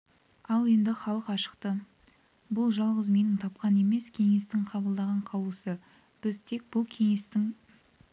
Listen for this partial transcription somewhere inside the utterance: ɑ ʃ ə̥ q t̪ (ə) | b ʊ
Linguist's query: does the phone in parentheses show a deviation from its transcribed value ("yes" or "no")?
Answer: no